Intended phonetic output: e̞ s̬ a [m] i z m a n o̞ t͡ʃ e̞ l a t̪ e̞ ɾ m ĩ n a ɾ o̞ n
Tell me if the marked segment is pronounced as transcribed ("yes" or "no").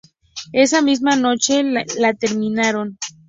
yes